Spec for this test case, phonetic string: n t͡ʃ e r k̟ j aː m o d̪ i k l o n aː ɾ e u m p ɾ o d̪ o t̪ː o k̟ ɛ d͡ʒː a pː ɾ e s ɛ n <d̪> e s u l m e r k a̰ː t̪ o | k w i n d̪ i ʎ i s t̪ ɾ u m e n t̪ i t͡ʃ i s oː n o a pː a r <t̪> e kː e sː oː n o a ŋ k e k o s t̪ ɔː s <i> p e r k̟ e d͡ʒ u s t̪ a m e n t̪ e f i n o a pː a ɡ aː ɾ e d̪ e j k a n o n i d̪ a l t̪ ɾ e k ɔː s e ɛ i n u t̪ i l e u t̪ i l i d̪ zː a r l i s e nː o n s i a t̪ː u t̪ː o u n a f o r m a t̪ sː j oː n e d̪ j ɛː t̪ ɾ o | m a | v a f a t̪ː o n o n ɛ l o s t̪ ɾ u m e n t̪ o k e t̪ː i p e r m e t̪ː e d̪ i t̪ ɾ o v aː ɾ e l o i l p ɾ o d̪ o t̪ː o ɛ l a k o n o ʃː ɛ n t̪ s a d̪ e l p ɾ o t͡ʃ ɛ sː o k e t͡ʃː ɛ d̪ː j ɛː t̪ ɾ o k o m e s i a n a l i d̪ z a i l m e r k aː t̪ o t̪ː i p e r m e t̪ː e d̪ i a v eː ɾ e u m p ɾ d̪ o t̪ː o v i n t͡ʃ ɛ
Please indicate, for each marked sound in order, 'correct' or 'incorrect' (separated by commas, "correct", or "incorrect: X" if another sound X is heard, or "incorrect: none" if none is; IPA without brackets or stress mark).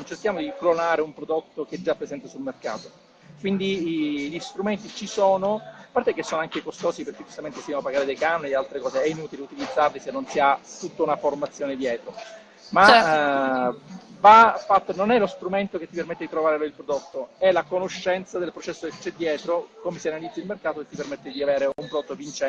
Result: incorrect: t̪, correct, correct